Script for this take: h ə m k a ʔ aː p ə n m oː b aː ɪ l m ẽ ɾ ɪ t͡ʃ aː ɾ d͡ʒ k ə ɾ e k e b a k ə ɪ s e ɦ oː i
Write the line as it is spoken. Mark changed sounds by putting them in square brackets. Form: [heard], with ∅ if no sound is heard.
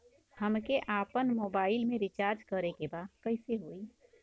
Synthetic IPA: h ə m k [e] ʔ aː p ə n m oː b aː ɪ l m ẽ ɾ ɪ t͡ʃ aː ɾ d͡ʒ k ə ɾ e k e b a k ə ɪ s e ɦ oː i